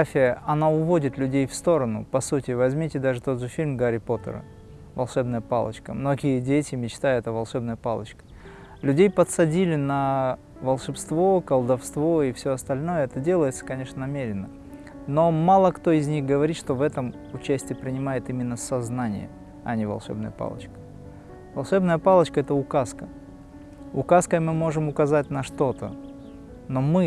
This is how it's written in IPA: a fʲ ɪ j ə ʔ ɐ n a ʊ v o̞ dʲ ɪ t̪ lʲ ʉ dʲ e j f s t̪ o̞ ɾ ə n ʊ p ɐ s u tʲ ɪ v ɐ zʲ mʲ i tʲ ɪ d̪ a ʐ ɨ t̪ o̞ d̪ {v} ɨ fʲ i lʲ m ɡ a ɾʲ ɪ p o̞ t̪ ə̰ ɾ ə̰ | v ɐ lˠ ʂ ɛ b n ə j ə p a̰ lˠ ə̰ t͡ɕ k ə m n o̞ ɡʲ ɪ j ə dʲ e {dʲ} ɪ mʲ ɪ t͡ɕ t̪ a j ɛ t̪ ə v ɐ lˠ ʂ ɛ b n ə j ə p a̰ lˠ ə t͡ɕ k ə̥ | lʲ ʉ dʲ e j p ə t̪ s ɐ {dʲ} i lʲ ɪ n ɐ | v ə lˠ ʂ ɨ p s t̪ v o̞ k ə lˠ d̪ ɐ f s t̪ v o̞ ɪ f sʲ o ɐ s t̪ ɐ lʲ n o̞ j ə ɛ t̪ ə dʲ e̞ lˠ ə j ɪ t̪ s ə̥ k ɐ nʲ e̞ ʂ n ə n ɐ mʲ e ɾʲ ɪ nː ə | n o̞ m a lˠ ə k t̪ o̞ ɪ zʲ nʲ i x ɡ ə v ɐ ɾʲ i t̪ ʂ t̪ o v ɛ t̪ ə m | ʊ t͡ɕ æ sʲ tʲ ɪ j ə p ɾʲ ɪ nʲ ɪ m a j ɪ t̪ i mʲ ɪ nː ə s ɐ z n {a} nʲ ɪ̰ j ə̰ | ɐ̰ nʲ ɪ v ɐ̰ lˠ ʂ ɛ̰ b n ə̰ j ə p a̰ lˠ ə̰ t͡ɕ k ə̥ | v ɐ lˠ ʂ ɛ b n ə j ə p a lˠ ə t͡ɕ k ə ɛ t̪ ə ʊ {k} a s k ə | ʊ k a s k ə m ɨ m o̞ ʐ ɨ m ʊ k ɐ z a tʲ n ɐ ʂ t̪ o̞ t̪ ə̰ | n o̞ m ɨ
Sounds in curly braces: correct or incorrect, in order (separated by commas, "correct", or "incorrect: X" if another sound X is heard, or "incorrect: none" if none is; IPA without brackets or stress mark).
incorrect: ʐ, incorrect: tʲ, correct, correct, correct